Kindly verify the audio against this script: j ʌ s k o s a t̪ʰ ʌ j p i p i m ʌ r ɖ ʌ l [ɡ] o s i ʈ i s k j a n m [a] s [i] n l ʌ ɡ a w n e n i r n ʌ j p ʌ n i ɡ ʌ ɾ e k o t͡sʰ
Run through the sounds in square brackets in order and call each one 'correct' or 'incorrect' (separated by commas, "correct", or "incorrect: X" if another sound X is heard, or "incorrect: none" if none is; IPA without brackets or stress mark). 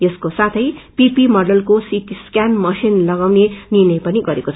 incorrect: k, incorrect: ʌ, correct